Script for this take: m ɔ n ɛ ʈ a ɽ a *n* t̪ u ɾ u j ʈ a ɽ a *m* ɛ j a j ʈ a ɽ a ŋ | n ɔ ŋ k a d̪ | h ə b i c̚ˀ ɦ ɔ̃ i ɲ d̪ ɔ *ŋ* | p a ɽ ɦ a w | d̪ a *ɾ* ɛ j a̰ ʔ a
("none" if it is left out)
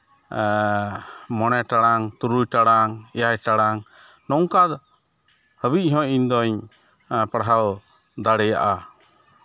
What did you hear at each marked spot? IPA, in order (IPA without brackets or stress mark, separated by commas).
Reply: ŋ, ŋ, ɲ, ɽ